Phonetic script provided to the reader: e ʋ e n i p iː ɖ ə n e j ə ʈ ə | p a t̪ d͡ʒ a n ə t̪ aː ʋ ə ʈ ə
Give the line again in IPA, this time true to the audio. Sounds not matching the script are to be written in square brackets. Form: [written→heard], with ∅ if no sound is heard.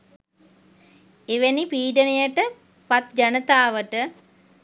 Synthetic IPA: e ʋ e n i p iː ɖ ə n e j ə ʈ ə | p a t̪ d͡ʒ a n ə t̪ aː ʋ ə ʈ ə